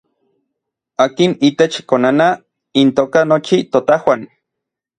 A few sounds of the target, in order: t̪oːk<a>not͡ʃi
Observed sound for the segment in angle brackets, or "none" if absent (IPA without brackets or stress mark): a